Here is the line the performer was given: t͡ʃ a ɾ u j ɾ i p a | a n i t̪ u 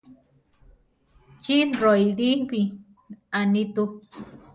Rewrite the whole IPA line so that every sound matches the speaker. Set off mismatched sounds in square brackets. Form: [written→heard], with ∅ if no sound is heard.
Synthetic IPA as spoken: t͡ʃ [a→i] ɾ [u→o] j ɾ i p [a→i] | a n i t̪ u

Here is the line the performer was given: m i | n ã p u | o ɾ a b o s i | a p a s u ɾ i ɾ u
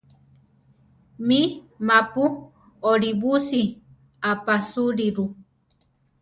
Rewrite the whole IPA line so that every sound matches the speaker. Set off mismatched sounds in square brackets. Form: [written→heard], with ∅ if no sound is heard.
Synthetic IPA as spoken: m i | [n→m] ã p u | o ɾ [a→i] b [o→u] s i | a p a s u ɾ i ɾ u

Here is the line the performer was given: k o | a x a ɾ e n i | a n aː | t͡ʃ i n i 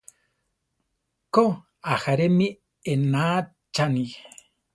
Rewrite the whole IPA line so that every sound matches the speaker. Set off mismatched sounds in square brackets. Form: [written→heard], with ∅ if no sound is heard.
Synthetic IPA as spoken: k o | a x a ɾ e [n→m] i | [a→e] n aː | t͡ʃ [i→a] n i

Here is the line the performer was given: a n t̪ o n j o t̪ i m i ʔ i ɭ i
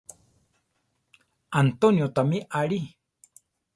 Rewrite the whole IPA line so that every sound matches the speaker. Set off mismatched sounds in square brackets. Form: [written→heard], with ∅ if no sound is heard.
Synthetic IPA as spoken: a n t̪ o n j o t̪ [i→a] m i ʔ [i→a] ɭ i

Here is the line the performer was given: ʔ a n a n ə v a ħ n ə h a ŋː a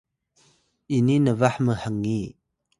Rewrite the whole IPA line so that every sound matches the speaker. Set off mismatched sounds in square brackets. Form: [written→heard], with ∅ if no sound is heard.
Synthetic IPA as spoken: ʔ [a→i] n [a→i] n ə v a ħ [n→m] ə h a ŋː [a→i]

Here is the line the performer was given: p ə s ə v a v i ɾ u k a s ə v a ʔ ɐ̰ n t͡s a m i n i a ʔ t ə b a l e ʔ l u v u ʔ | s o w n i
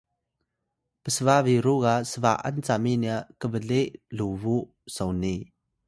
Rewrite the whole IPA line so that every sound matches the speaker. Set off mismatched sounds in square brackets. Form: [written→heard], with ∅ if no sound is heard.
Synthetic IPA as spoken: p ə s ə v a v i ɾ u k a s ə v a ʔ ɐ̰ n t͡s a m i n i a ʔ [t→k] ə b [a→ə] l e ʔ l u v u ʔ | s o w n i

